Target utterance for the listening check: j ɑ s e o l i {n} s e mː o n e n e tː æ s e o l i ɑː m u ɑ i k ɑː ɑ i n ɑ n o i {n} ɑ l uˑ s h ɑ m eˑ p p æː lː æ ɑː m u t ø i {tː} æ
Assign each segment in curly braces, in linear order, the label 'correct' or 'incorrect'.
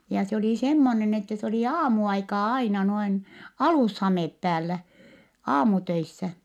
incorrect: none, correct, incorrect: sː

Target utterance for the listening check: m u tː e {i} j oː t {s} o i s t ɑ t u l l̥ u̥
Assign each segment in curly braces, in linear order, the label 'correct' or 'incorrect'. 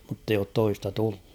correct, incorrect: t

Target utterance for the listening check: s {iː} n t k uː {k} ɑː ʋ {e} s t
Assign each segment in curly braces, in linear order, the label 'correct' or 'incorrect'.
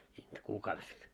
correct, correct, correct

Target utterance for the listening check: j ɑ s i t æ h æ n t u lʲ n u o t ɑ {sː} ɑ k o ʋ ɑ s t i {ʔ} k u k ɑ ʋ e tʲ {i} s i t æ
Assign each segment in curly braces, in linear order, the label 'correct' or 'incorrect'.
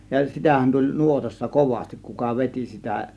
correct, incorrect: k, correct

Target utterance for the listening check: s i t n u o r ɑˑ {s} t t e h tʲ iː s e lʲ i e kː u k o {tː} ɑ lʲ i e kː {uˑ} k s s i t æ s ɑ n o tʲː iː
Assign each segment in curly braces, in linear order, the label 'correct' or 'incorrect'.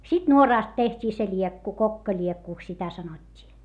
correct, incorrect: kː, correct

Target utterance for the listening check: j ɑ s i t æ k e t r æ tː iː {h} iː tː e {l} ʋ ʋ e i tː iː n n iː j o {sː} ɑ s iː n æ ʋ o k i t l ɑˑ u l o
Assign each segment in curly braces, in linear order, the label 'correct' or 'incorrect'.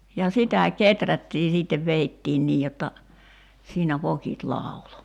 incorrect: s, incorrect: none, incorrect: tː

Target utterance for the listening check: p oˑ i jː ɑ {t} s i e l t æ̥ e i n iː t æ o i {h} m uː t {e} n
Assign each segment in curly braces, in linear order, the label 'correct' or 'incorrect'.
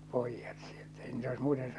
correct, incorrect: s, correct

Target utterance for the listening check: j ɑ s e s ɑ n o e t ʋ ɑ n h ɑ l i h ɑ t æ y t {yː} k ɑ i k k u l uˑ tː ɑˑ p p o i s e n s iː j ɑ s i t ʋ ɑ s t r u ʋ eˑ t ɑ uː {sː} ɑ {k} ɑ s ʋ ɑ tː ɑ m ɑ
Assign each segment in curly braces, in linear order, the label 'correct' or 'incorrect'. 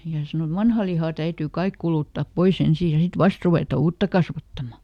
correct, incorrect: tː, correct

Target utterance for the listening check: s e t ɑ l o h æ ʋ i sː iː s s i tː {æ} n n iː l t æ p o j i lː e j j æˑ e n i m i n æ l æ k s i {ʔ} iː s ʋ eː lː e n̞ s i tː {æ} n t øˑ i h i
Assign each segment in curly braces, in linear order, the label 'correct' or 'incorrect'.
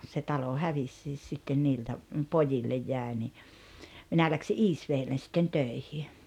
incorrect: e, correct, incorrect: e

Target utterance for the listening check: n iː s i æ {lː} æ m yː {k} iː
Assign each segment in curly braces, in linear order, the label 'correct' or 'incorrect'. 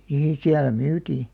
incorrect: l, incorrect: t

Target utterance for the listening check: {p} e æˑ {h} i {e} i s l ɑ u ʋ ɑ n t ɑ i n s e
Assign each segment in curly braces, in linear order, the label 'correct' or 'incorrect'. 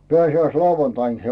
correct, incorrect: s, incorrect: æ

